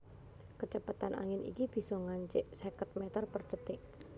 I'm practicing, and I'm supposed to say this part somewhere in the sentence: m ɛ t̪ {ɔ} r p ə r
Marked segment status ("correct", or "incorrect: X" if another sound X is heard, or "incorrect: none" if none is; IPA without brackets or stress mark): correct